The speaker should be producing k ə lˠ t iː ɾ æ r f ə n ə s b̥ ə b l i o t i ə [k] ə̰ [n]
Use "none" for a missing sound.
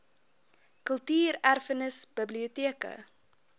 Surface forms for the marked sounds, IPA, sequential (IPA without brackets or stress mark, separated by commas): k, none